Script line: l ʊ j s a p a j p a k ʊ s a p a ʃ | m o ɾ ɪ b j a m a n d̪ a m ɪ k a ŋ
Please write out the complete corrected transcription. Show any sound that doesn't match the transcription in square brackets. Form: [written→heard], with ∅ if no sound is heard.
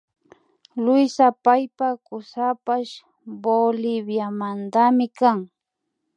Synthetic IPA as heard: l ʊ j s a p a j p a k ʊ s a p a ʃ | [m→b] o [ɾ→l] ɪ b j a m a n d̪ a m ɪ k a ŋ

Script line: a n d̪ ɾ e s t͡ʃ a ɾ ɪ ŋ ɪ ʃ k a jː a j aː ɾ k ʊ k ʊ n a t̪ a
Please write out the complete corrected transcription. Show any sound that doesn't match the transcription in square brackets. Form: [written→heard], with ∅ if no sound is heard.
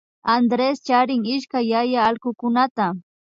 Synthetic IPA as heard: a n d̪ ɾ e s t͡ʃ a ɾ ɪ ŋ ɪ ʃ k a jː a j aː [ɾ→l] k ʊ k ʊ n a t̪ a

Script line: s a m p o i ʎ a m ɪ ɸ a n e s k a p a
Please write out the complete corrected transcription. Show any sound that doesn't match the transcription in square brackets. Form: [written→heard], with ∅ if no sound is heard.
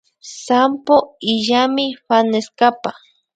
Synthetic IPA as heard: s a m p o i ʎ a m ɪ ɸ a n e s k a p a

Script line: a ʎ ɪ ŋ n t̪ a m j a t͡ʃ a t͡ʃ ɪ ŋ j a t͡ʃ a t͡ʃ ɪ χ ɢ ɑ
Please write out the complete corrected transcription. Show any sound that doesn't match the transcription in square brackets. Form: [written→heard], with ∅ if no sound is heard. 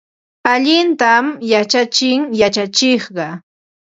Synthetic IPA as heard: a ʎ ɪ [ŋ→∅] n t̪ a m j a t͡ʃ a t͡ʃ ɪ ŋ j a t͡ʃ a t͡ʃ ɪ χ ɢ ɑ

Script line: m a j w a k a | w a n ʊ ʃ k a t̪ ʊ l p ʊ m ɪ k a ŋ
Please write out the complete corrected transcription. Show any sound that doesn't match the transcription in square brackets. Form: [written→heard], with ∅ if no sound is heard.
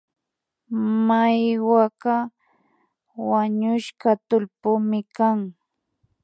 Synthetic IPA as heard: m a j w a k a | w a [n→ɲ] ʊ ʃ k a t̪ ʊ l p ʊ m ɪ k a ŋ

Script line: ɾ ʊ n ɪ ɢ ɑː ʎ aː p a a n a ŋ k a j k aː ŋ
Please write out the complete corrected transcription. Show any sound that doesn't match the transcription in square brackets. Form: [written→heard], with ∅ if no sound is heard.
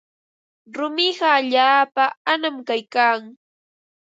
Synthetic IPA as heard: ɾ ʊ [n→m] ɪ ɢ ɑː ʎ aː p a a n a [ŋ→m] k a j k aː ŋ

